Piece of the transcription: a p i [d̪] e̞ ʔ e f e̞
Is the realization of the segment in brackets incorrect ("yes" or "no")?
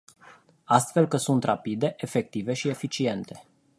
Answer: no